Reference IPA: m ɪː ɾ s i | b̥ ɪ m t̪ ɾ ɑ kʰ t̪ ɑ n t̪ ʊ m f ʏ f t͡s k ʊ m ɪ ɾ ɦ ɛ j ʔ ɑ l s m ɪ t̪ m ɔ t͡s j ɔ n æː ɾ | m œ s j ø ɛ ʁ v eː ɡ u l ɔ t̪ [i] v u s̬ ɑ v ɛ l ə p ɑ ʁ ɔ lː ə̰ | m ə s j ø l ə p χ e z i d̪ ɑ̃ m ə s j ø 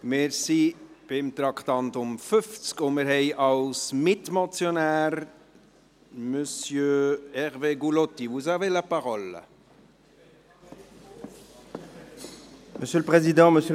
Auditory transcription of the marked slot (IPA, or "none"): i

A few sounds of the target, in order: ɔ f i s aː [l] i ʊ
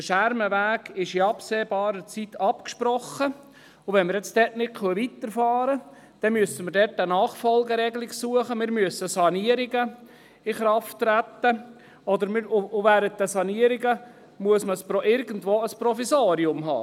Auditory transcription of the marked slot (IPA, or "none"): ɾ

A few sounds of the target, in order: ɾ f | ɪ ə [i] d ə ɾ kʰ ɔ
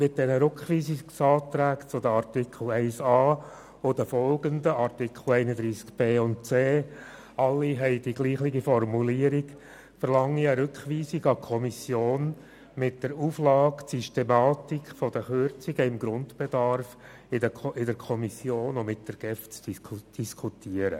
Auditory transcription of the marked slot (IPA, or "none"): ɪ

